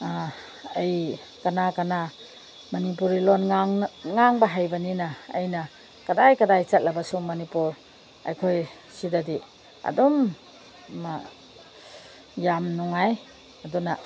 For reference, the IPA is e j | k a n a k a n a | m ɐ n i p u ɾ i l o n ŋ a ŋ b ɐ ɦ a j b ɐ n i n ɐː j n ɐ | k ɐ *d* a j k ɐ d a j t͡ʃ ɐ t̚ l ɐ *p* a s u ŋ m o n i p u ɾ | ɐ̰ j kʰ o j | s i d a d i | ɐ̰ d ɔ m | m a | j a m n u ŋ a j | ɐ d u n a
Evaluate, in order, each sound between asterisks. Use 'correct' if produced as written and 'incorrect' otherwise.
correct, incorrect: b

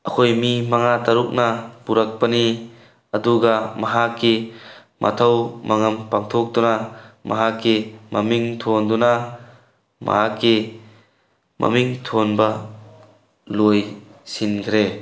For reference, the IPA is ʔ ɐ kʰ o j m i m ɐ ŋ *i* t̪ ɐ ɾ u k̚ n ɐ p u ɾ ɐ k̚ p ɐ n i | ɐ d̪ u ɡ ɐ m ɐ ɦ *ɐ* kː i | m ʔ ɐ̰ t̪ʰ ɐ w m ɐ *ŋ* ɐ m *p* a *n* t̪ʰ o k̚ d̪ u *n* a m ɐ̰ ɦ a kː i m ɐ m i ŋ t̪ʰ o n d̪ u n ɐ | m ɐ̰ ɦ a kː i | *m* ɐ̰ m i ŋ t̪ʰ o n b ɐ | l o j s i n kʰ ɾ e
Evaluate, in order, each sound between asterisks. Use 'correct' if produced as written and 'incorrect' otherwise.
incorrect: a, incorrect: a, correct, correct, incorrect: ŋ, correct, correct

